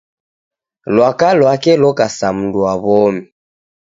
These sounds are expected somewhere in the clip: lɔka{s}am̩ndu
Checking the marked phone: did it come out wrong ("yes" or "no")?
no